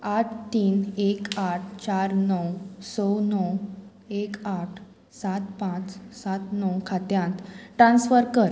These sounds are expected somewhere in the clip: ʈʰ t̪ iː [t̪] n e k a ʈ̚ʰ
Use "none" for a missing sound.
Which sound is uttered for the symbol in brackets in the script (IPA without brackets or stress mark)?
none